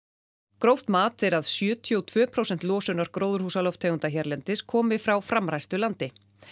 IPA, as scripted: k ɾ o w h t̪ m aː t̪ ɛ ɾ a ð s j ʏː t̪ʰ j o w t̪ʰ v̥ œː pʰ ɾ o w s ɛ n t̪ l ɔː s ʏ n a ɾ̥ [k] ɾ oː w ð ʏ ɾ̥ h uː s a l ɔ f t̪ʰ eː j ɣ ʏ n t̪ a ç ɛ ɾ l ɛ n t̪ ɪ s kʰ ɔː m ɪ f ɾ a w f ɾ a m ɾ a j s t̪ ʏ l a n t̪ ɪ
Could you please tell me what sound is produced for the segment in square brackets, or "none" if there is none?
k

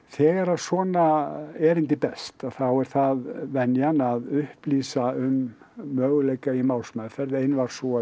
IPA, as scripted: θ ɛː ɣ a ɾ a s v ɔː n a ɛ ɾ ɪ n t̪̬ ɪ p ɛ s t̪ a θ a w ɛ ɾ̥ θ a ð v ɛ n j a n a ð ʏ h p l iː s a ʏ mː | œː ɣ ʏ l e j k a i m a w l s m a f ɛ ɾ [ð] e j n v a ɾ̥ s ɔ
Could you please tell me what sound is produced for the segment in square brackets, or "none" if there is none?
ð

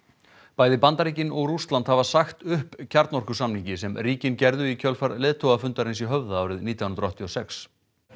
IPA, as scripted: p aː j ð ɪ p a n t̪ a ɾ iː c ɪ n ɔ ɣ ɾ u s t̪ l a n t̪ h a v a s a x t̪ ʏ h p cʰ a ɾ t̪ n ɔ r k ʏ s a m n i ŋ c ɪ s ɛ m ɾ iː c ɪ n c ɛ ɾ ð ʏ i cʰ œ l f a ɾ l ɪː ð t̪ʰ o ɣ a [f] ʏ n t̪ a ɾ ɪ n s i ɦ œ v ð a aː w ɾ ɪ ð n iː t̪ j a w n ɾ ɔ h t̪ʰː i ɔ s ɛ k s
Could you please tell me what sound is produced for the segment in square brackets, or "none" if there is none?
f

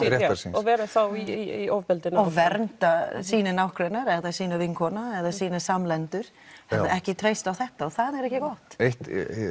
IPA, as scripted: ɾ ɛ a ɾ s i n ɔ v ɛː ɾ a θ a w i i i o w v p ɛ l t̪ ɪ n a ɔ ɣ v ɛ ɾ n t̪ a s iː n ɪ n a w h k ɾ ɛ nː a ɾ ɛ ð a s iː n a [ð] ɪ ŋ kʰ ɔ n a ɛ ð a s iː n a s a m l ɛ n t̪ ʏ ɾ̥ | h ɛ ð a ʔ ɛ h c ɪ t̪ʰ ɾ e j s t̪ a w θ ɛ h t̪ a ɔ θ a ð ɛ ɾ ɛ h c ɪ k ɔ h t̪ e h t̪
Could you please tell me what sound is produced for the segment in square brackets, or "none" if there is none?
v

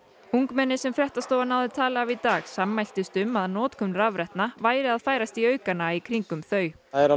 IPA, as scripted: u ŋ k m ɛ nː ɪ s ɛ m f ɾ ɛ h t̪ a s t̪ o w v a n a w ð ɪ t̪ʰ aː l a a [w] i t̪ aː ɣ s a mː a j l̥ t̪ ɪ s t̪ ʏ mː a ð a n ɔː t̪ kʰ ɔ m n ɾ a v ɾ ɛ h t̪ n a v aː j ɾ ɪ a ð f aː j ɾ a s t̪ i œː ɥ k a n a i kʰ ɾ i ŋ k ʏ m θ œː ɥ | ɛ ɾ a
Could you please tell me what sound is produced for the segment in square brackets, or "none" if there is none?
v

